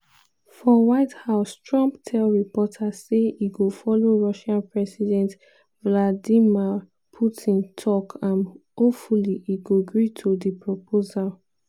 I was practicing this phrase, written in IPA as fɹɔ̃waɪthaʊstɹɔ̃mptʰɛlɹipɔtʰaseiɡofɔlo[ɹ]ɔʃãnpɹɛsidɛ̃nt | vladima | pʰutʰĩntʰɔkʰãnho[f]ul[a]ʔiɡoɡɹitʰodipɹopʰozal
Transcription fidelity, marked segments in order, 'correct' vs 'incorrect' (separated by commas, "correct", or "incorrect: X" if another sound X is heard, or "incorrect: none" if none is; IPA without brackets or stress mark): correct, correct, incorrect: i